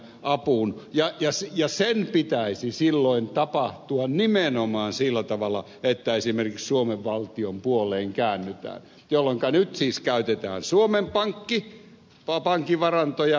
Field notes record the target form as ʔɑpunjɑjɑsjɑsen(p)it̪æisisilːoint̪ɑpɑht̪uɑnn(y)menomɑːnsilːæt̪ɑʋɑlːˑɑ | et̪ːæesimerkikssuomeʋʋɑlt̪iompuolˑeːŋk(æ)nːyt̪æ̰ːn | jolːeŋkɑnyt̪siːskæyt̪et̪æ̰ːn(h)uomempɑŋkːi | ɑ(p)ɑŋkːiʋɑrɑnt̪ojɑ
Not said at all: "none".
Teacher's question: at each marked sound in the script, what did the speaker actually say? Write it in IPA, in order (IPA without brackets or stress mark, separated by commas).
p, i, æː, s, p